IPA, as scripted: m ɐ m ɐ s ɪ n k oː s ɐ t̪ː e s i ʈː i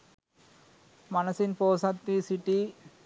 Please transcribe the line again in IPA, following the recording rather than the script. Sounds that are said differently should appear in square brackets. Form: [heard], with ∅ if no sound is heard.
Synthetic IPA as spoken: m ɐ [n] ɐ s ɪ n [p] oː s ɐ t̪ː [i] s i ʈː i

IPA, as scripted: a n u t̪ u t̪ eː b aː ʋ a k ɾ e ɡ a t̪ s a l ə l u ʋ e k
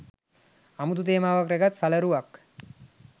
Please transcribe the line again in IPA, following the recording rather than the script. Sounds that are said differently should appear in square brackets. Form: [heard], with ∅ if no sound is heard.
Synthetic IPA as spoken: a [m] u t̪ u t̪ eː [m] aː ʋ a k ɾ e ɡ a t̪ s a l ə [ɾ] u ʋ [a] k

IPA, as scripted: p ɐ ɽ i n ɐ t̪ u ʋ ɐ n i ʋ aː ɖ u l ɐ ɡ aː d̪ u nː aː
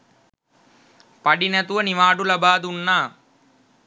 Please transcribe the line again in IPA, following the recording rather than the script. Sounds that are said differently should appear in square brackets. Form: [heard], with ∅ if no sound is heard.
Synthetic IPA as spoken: p ɐ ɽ i n ɐ t̪ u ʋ ɐ n i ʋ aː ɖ u l ɐ [b] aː d̪ u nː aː

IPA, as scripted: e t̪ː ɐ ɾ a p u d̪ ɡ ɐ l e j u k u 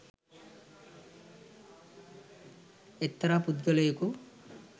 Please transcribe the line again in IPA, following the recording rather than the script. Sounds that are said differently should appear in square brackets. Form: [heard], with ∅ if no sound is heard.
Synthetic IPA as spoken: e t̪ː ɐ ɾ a p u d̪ ɡ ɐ l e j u k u

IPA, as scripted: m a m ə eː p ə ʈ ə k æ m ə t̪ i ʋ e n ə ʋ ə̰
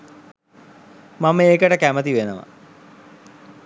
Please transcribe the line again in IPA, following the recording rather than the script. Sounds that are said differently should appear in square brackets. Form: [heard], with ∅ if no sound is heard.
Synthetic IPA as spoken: m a m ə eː [k] ə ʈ ə k æ m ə t̪ i ʋ e n ə ʋ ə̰

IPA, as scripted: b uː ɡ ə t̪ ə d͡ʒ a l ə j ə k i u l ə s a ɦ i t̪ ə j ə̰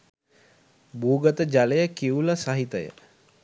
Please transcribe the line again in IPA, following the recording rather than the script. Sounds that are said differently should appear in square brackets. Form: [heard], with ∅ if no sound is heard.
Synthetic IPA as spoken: b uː ɡ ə t̪ ə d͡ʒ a l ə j ə k i u l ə s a ɦ i t̪ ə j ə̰

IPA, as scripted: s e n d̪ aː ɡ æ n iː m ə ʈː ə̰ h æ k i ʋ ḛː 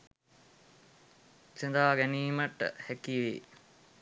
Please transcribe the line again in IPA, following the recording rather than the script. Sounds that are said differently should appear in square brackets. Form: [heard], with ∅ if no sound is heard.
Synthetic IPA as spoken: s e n d̪ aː ɡ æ n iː m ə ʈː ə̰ h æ k i ʋ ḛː

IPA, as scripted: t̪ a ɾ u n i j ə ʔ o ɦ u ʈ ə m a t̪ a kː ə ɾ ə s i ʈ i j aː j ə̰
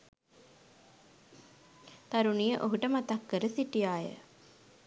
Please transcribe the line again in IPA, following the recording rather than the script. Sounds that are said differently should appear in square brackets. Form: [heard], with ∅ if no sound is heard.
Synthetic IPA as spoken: t̪ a ɾ u n i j ə ʔ o ɦ u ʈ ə m a t̪ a kː ə ɾ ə s i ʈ i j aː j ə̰

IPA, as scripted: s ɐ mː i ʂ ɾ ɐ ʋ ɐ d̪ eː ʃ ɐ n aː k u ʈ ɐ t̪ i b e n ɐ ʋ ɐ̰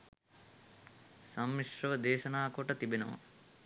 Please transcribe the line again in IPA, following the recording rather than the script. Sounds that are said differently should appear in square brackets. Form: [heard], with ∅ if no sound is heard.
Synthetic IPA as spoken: s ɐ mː i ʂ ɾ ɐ ʋ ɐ d̪ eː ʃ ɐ n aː k [o] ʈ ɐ t̪ i b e n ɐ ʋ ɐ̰

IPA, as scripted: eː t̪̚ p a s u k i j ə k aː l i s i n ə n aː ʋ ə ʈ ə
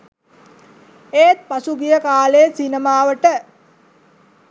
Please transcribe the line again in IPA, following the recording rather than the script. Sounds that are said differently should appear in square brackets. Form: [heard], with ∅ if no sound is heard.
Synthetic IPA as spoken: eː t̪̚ p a s u [ɡ] i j ə k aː l [e] s i n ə [m] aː ʋ ə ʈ ə

